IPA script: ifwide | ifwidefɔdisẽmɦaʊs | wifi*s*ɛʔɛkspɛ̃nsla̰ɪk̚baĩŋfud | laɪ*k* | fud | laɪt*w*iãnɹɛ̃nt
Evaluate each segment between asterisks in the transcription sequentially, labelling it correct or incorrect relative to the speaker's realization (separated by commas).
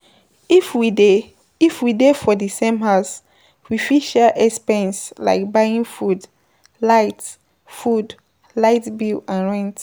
incorrect, incorrect, incorrect